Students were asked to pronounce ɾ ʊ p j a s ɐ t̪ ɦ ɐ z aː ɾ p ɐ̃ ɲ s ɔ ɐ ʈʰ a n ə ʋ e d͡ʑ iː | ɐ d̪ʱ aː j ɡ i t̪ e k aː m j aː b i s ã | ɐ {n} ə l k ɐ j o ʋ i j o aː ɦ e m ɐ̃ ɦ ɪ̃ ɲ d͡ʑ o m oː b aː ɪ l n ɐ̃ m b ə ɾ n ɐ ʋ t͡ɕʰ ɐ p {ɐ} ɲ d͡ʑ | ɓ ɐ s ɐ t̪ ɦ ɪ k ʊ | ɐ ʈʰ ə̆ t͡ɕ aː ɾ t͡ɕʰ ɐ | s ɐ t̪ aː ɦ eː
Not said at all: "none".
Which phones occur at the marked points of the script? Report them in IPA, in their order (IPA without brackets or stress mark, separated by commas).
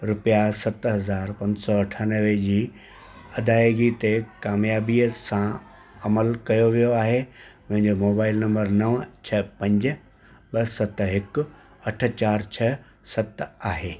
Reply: m, ɐ̃